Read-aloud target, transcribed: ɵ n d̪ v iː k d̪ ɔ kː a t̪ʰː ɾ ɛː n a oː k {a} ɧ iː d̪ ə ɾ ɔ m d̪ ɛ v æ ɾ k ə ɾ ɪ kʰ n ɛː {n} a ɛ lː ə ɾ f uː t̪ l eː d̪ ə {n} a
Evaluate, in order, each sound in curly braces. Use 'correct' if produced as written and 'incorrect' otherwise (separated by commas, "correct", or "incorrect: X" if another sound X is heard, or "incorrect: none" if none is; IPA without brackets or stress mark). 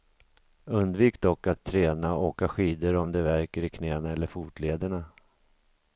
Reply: correct, correct, incorrect: ɳ